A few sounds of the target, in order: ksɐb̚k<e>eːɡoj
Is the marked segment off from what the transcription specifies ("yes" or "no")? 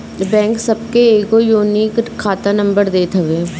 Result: no